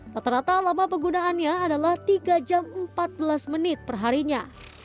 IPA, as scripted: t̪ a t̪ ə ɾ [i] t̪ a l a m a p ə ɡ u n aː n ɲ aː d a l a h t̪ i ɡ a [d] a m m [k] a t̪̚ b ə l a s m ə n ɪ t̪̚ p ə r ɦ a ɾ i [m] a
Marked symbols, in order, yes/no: no, no, no, no

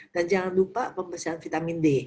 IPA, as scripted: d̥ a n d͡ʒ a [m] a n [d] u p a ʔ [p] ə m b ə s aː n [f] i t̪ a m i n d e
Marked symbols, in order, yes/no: no, yes, yes, yes

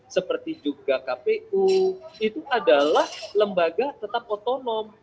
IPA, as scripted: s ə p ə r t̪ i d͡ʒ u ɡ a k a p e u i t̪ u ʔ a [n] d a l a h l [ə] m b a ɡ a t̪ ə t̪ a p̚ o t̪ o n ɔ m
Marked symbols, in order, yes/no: no, yes

